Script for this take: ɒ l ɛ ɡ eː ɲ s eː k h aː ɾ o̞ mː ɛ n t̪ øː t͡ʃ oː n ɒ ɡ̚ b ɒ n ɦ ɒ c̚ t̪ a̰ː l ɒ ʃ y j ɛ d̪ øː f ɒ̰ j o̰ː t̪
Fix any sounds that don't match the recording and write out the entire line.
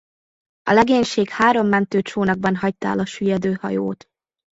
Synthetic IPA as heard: ɒ l ɛ ɡ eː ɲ ʃ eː k h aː ɾ o̞ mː ɛ n t̪ øː t͡ʃ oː n ɒ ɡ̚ b ɒ n ɦ ɒ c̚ t̪ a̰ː l ɒ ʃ y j ɛ d̪ øː h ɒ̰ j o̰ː t̪